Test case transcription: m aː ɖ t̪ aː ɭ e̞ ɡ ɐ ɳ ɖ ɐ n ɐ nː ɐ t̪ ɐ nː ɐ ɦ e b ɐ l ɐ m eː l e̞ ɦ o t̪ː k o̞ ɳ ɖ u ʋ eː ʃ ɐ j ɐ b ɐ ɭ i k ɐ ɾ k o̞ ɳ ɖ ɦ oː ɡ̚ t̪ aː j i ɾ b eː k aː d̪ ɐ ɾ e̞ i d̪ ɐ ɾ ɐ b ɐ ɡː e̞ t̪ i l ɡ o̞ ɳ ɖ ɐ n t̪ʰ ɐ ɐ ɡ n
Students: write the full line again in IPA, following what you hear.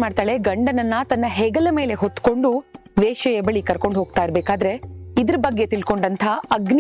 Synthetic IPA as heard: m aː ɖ t̪ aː ɭ e̞ ɡ ɐ ɳ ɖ ɐ n ɐ nː ɐ t̪ ɐ nː ɐ ɦ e ɡ ɐ l ɐ m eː l e̞ ɦ o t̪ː k o̞ ɳ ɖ u ʋ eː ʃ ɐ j ɐ b ɐ ɭ i k ɐ ɾ k o̞ ɳ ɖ ɦ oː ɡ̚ t̪ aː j i ɾ b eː k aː d̪ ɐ ɾ e̞ i d̪ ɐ ɾ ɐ b ɐ ɡː e̞ t̪ i l k o̞ ɳ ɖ ɐ n t̪ʰ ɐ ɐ ɡ n